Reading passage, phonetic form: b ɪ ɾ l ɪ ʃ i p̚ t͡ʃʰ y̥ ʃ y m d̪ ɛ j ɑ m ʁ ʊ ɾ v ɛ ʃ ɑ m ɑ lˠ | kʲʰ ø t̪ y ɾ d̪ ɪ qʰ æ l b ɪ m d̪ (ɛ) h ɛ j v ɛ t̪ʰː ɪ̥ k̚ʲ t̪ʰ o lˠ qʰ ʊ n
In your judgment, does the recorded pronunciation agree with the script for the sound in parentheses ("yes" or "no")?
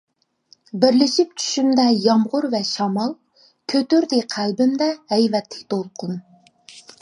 yes